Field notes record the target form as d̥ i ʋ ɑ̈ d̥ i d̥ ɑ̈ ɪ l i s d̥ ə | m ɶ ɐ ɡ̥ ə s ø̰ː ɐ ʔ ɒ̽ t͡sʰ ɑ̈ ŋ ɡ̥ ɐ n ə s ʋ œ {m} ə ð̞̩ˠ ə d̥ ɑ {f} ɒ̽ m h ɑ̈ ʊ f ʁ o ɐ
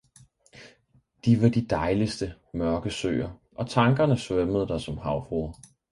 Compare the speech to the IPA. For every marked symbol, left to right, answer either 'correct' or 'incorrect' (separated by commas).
correct, incorrect